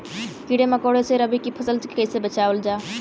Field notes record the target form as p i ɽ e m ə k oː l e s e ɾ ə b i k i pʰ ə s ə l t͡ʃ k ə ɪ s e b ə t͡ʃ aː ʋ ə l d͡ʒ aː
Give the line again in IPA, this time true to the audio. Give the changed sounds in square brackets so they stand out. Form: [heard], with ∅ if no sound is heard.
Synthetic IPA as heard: [k] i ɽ e m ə k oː [ɽ] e s e ɾ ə b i k i pʰ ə s ə l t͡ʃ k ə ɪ s e b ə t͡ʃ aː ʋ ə l d͡ʒ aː